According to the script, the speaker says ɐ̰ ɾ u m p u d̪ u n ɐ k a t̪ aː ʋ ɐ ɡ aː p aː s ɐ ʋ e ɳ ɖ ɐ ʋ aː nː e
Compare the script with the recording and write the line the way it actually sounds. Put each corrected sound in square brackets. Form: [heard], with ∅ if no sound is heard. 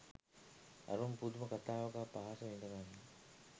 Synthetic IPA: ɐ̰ ɾ u m p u d̪ u [m] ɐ k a t̪ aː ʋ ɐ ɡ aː p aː s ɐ ʋ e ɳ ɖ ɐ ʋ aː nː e